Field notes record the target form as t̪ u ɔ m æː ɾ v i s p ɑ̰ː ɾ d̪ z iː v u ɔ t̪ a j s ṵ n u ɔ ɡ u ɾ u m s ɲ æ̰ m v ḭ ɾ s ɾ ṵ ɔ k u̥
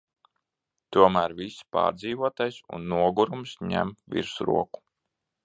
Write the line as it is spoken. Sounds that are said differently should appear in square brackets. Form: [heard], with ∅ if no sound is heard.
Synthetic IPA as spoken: t̪ u ɔ m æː ɾ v i s p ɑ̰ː ɾ d̪ z iː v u ɔ t̪ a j s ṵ [nː] u ɔ ɡ u ɾ u m s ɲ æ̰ m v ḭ ɾ s ɾ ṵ ɔ k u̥